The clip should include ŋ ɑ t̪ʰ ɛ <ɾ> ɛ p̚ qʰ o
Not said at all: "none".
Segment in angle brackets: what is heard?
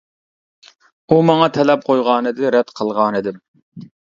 l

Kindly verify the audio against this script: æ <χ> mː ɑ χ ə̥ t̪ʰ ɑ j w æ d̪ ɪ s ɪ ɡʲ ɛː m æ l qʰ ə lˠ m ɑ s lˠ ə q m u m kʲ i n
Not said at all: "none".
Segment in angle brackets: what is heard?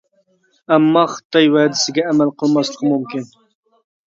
none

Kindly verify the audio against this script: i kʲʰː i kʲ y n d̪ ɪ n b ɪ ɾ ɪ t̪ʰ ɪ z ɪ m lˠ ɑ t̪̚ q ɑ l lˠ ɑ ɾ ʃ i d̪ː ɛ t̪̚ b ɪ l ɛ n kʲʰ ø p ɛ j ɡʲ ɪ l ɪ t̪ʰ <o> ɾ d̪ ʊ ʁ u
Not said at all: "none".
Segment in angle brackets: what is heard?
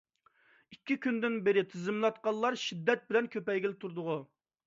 u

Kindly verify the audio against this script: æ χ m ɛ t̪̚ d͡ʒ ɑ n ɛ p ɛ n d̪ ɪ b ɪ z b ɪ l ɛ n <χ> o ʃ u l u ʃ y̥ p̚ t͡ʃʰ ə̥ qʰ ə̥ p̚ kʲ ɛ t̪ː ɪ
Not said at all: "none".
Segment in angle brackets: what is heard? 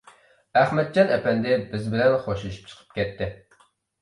χ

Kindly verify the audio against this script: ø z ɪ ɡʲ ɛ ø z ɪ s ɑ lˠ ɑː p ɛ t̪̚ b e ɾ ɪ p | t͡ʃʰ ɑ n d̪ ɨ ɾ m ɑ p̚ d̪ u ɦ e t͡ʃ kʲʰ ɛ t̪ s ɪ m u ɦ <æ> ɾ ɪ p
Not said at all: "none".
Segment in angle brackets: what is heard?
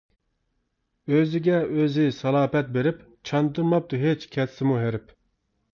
e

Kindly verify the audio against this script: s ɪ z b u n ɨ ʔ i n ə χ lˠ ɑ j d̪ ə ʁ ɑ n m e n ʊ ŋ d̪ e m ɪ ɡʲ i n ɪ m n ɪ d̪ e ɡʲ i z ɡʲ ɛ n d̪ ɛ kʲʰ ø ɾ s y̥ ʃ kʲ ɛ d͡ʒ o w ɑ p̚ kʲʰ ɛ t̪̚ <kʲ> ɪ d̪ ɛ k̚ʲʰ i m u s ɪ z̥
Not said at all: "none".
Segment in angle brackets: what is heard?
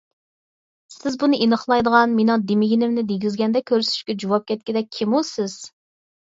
kʲ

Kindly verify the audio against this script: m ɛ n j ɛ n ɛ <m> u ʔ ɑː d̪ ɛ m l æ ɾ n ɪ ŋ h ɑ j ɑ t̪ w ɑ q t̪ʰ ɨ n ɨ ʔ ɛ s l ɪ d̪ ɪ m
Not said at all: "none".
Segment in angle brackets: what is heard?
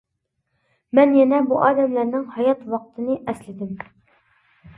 b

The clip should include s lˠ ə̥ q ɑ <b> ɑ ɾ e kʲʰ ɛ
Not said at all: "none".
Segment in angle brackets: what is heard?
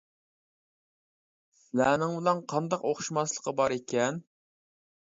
b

